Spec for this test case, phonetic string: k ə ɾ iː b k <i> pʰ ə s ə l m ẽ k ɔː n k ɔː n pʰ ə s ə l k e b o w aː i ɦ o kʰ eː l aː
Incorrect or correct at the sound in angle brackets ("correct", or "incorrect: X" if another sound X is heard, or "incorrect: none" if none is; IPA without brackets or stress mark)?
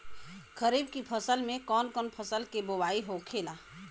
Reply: correct